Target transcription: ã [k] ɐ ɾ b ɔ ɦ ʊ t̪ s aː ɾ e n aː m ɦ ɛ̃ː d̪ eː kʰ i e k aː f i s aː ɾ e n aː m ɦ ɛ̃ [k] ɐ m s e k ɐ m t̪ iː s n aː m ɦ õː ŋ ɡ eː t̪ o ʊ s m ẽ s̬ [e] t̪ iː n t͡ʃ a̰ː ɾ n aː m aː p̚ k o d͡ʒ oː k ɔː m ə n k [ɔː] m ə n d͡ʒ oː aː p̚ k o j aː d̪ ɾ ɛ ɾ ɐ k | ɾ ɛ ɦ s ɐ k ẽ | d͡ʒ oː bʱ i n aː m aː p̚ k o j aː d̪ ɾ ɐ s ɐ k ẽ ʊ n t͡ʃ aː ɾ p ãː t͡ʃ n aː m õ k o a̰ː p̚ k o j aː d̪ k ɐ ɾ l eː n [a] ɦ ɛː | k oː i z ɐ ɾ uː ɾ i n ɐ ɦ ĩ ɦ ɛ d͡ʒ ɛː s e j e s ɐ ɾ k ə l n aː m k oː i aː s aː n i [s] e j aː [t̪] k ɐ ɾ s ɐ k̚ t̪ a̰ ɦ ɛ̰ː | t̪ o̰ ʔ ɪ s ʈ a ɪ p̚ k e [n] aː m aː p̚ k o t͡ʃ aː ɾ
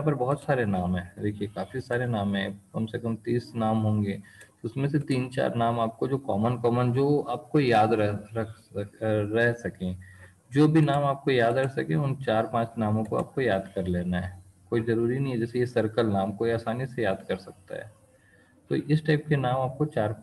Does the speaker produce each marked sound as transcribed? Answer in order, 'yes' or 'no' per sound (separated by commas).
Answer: no, yes, yes, yes, yes, yes, no, yes